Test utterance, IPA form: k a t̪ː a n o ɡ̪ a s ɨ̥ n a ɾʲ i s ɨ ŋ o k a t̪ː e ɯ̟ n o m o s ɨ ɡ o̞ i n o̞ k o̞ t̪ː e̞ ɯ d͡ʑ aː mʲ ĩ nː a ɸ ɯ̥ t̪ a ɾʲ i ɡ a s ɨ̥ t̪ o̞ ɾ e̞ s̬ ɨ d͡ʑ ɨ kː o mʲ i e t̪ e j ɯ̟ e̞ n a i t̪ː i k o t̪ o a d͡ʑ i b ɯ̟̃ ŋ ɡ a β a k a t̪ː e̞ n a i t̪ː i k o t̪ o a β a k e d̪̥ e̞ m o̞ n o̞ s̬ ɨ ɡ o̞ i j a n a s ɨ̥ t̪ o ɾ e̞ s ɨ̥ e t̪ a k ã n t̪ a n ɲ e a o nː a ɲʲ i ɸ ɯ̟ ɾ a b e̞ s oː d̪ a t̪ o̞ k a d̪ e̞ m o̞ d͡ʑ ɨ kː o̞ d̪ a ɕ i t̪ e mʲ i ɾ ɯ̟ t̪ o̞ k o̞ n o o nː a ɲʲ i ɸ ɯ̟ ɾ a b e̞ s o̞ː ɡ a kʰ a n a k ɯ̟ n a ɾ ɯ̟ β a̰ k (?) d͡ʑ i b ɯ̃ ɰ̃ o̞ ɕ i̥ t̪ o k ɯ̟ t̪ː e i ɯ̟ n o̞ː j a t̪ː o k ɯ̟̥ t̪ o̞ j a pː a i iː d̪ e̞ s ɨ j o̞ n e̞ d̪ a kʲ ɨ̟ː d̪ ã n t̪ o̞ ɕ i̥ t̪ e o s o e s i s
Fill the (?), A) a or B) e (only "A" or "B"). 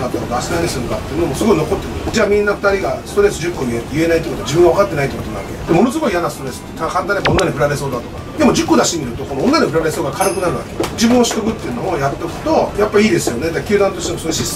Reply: B